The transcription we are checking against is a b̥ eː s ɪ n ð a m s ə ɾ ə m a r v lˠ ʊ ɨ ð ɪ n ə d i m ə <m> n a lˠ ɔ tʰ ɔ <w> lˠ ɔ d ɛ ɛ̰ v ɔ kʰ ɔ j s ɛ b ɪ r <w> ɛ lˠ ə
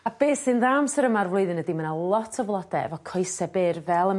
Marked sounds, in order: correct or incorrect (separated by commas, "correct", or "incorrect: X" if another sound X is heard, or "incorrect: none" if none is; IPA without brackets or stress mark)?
incorrect: none, incorrect: v, incorrect: v